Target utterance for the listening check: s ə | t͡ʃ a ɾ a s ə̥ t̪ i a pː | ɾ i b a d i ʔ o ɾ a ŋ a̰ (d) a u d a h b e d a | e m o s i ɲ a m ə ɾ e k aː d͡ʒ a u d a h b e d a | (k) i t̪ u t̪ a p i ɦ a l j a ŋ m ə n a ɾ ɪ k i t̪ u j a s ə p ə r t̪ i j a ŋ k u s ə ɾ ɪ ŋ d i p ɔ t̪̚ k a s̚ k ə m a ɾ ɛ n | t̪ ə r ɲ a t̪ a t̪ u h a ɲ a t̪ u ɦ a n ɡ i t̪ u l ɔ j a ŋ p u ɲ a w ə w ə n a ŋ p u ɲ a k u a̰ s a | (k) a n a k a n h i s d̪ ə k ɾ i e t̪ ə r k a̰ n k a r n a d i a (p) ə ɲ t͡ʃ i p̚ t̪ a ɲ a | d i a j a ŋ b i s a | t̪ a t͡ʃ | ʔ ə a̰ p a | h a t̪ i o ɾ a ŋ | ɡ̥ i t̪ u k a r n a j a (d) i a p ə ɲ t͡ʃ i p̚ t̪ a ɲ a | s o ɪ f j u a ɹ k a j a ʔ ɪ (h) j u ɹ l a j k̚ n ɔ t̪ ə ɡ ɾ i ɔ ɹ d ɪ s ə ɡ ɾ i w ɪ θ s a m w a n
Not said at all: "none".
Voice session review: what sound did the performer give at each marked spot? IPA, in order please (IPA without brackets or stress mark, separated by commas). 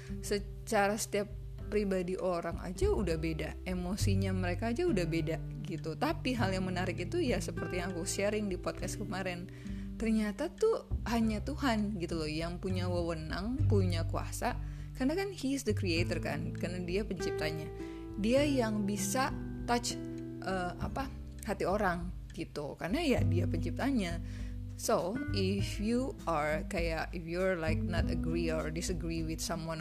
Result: d͡ʒ, ɡ, k, p, d, f